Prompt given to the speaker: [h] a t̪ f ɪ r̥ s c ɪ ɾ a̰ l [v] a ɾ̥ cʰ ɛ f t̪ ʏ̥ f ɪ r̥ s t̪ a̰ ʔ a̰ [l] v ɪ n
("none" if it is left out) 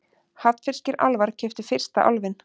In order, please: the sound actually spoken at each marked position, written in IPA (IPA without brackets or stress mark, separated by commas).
h, v, l